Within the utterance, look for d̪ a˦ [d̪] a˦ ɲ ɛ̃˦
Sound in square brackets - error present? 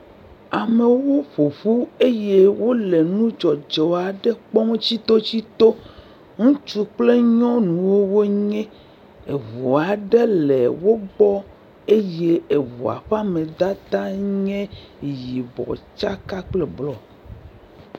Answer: yes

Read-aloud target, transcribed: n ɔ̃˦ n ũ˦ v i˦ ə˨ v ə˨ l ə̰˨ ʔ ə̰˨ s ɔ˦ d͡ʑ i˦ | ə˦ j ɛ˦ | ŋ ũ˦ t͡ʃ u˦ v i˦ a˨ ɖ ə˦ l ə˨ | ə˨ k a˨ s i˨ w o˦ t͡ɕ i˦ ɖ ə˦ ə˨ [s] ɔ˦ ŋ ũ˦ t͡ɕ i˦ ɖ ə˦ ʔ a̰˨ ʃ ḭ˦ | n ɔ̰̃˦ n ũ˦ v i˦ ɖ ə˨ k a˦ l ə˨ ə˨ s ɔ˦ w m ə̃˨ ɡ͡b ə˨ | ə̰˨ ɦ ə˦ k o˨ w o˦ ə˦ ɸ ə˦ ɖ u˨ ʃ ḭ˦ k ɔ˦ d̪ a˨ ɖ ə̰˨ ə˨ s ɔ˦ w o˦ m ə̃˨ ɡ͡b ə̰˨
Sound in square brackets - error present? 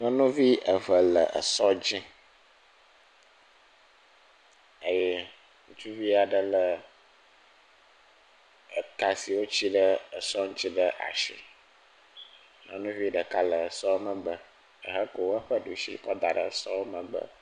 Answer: no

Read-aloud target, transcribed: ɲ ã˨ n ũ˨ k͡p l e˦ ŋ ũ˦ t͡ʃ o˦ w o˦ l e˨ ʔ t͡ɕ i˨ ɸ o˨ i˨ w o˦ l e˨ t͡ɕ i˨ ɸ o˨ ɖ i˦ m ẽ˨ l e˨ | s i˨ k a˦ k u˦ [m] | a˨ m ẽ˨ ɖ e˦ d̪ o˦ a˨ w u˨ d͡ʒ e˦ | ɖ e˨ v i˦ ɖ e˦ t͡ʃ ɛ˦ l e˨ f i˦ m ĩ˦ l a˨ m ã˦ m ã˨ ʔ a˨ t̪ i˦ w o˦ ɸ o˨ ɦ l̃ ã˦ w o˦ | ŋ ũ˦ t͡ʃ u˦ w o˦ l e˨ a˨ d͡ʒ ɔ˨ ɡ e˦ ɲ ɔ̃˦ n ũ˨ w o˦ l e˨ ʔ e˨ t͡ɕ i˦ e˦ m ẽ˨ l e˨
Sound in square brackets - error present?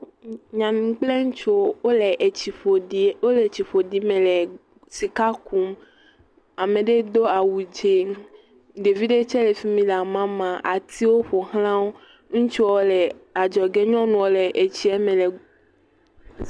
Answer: no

